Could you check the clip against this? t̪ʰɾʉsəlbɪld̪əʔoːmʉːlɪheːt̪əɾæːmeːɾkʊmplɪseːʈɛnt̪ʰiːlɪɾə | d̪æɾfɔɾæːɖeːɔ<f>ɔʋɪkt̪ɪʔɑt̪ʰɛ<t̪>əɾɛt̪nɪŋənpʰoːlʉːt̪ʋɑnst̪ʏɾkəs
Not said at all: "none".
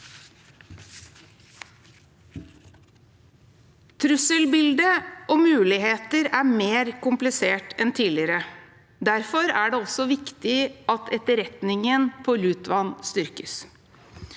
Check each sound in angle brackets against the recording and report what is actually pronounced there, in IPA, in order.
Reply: s, t̪

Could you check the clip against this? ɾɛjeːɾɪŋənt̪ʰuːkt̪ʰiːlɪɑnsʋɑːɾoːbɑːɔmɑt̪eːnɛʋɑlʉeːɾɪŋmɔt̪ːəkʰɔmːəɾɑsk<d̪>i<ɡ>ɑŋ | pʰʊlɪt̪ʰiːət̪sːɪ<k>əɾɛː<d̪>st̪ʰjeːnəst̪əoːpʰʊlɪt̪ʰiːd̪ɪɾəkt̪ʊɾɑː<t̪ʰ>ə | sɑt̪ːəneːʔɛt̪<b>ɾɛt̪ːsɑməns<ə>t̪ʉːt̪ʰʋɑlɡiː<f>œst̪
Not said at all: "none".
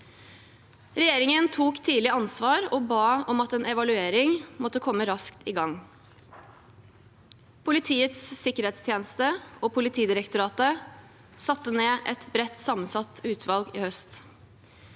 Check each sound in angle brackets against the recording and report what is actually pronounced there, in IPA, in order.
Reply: t̪, ɡ, k, t̪, t̪, b, ɑ, h

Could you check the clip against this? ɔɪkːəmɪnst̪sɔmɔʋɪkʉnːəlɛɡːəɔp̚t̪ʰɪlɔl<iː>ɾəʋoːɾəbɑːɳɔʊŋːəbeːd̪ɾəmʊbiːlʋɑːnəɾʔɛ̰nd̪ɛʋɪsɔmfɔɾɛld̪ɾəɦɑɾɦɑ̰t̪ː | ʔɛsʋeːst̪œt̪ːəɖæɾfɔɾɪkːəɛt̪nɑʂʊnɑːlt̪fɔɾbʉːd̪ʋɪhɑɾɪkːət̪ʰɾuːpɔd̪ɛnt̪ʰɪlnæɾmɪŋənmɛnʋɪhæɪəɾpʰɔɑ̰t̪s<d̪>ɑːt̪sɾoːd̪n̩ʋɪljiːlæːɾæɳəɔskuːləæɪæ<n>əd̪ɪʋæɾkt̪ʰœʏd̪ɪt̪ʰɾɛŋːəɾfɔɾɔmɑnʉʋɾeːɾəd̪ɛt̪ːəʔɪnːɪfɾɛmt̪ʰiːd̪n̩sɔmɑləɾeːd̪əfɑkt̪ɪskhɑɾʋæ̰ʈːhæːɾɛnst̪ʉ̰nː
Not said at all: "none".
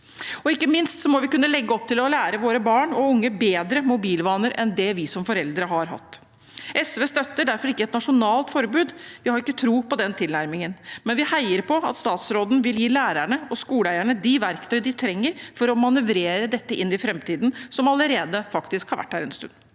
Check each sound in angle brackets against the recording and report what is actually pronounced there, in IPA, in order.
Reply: æː, t̪, ɳ

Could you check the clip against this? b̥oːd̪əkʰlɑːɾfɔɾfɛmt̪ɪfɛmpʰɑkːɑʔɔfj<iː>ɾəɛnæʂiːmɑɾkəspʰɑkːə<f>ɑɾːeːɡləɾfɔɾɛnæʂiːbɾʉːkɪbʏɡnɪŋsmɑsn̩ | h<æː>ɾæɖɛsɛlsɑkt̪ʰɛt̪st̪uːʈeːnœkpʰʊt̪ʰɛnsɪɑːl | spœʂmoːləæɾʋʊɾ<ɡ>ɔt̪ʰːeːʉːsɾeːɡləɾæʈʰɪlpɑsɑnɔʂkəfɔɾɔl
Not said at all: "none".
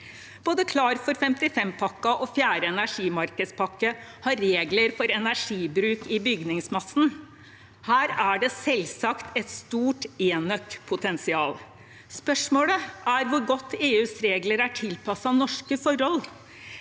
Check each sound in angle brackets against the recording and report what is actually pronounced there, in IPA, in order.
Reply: æː, h, æː, ɡ

